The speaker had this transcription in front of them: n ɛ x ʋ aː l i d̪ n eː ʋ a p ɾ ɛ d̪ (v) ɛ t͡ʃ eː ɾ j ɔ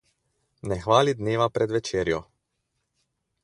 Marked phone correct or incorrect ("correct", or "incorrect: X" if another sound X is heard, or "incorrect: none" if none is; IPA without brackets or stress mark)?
incorrect: ʋ